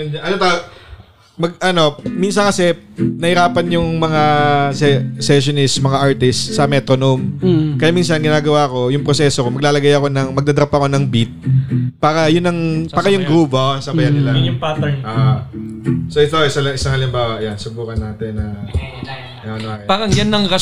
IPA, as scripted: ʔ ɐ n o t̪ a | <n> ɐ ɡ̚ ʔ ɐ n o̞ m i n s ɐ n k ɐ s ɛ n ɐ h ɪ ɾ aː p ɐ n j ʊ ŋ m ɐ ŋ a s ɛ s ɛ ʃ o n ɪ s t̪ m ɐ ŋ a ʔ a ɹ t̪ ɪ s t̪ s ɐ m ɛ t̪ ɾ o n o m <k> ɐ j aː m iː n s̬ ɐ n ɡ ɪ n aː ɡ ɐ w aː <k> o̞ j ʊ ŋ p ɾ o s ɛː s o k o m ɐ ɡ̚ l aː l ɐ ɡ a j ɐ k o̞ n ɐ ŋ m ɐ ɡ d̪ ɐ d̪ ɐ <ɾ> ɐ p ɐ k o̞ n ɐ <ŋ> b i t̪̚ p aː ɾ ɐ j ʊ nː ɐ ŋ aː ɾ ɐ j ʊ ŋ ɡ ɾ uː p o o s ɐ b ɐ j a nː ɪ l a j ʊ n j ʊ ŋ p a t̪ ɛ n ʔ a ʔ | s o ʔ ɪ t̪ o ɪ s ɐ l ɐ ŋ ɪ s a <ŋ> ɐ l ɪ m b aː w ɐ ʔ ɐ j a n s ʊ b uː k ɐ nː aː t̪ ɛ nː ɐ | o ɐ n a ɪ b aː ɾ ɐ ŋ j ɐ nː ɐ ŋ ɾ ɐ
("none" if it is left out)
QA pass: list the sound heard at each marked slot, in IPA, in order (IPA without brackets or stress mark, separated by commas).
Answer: m, k, k, ɾ, ŋ, ŋ